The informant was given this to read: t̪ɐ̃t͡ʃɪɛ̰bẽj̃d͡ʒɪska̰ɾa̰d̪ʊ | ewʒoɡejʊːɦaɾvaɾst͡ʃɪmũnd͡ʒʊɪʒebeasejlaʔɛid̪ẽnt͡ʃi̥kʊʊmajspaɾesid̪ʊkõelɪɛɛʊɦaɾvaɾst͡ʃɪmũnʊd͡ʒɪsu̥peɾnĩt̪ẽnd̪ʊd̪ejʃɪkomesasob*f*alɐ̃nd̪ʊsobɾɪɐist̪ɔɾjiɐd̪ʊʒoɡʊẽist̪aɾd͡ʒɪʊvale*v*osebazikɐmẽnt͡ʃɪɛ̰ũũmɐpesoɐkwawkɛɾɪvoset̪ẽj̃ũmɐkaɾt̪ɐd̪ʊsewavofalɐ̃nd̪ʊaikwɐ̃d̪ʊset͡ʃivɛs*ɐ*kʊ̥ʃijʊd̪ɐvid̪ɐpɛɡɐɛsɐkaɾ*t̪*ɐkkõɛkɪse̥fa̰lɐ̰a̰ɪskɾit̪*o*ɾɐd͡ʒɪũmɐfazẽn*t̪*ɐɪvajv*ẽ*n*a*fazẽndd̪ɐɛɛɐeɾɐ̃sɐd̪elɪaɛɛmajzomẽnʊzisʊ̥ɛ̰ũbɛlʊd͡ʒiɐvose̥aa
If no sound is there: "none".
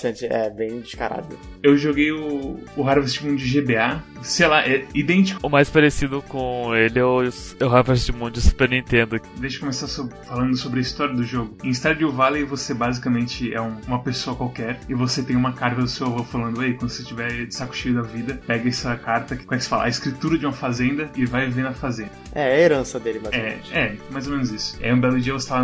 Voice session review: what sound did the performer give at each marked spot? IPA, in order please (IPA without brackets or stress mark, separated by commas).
f, v, a, t̪, u, d̪, e, ɐ